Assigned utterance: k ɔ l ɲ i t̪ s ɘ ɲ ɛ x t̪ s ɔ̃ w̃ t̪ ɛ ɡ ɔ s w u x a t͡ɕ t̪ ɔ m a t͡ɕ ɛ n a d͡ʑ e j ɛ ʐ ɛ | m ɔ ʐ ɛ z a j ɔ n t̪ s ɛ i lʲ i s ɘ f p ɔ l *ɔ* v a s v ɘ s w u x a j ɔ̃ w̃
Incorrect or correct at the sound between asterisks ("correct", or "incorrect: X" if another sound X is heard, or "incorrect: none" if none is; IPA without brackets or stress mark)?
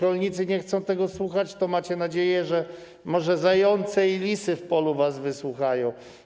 incorrect: u